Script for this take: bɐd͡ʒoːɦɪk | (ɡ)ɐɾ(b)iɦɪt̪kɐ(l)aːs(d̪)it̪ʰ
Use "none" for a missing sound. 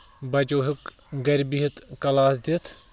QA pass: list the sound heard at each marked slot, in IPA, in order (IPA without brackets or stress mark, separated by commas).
ɡ, b, l, d̪